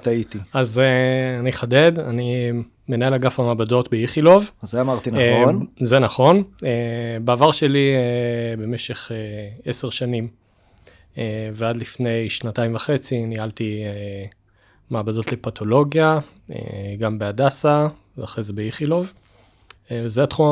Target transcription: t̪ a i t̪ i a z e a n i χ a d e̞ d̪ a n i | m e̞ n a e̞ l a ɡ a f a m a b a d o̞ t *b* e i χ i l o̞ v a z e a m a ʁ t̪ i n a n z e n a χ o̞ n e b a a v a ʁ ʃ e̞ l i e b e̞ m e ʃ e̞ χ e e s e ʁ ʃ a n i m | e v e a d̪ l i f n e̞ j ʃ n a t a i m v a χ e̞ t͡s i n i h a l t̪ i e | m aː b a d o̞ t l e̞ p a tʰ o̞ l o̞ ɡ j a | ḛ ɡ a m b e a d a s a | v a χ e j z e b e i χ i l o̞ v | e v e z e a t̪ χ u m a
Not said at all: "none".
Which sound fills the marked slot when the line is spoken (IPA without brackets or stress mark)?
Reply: b